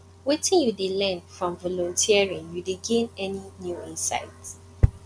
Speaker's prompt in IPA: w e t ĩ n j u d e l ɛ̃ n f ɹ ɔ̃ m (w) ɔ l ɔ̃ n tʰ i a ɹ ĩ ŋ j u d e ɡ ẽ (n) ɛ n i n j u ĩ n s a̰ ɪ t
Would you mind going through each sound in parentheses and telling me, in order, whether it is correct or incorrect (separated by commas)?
incorrect, correct